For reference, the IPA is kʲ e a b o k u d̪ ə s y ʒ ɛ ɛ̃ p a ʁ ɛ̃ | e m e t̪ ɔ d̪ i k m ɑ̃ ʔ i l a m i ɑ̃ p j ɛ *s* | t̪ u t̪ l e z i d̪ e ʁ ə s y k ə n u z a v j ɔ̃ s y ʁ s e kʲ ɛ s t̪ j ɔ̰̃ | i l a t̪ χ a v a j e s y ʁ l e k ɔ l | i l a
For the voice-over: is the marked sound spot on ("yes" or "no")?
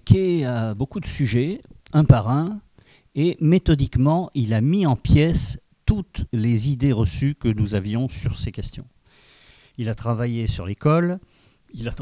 yes